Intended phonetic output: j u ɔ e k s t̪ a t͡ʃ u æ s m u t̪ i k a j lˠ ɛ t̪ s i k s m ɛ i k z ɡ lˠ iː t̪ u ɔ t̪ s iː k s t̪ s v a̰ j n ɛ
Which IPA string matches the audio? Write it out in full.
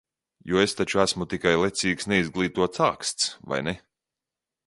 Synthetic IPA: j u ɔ e s t̪ a t͡ʃ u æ s m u t̪ i k a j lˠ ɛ t̪ s iː k s n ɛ i z ɡ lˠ iː t̪ u ɔ t̪ s aː k s t̪ s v a̰ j n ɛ